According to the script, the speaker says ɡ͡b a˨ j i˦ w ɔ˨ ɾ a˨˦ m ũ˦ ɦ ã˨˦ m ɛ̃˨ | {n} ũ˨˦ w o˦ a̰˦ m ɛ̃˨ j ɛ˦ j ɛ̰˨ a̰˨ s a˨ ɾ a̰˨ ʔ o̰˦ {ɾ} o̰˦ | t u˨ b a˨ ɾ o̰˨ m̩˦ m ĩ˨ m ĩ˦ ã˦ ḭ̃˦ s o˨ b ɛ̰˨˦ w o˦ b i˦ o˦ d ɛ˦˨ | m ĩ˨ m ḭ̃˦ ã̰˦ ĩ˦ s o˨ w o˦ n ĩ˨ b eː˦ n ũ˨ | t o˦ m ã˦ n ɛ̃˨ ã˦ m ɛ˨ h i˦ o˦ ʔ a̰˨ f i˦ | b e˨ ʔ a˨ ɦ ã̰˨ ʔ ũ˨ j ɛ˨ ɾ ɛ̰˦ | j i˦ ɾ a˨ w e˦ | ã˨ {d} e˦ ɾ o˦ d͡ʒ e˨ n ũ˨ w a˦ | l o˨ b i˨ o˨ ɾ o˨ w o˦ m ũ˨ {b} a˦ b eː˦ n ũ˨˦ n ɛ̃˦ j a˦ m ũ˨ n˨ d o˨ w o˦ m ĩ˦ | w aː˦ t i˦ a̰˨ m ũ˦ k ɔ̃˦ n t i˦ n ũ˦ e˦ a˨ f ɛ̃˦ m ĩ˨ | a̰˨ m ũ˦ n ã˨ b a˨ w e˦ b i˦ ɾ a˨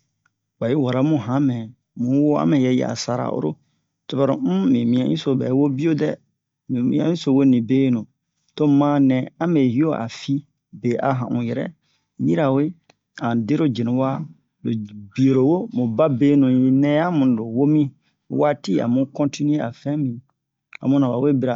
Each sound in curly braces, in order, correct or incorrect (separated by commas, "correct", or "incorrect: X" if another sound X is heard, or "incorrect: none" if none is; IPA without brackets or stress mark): incorrect: m, correct, correct, correct